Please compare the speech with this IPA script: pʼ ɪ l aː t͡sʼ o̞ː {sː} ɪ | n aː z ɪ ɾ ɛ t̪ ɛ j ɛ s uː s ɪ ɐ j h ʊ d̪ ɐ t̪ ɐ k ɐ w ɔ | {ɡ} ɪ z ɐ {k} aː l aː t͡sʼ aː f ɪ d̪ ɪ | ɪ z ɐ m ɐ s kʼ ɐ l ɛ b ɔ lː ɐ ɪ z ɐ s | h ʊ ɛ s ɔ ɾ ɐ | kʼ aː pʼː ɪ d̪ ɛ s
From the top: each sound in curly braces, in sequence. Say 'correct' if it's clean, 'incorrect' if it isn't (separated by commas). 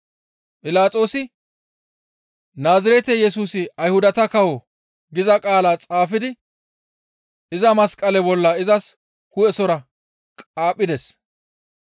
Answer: incorrect, correct, incorrect